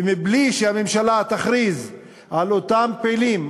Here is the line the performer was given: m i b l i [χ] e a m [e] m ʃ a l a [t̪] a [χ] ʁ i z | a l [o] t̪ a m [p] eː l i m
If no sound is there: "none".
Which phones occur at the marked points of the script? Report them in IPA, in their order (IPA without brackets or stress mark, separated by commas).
ʃ, e, t̪, χ, o, p